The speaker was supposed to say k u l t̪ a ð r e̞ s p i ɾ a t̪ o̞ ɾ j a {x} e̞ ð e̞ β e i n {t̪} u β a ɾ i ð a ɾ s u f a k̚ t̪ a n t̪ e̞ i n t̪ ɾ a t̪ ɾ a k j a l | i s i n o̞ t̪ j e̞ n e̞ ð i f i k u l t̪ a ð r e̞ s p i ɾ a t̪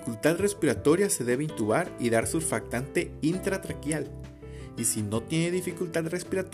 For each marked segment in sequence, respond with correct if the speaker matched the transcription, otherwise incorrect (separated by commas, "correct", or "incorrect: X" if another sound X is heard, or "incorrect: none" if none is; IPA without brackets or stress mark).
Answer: incorrect: s, correct